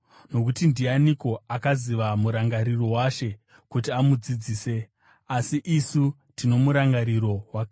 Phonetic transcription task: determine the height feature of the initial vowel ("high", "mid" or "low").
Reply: mid